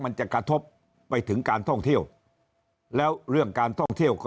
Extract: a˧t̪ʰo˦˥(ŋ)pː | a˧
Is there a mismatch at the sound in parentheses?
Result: yes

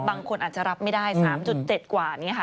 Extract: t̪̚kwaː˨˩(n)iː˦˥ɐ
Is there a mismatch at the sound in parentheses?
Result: no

